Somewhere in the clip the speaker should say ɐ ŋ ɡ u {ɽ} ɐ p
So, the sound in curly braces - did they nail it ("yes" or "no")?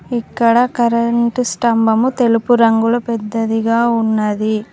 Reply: no